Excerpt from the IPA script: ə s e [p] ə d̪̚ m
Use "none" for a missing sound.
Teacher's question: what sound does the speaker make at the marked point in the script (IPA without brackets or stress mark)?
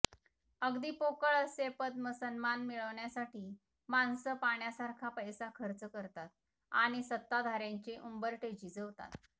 p